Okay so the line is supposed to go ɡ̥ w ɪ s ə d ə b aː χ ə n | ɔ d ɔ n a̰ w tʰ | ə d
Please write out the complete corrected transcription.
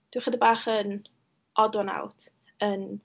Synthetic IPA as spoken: d̥ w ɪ χ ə d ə b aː χ ə n | ɔ d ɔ n a̰ w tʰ | ə n